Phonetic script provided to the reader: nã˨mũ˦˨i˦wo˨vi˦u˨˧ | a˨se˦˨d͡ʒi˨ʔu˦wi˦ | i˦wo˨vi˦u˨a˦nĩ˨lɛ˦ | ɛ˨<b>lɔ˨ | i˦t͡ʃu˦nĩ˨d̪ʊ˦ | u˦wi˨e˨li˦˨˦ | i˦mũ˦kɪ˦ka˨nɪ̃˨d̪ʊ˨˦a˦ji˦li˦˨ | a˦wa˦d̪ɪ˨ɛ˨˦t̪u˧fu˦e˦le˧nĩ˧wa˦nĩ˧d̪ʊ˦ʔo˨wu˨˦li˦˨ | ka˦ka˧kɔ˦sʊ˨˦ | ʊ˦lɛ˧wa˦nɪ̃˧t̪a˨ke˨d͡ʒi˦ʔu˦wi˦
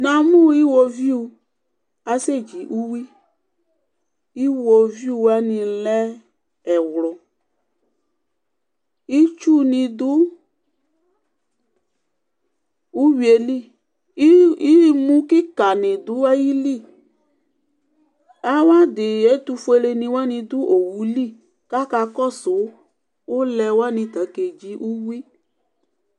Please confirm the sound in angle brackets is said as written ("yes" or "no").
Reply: no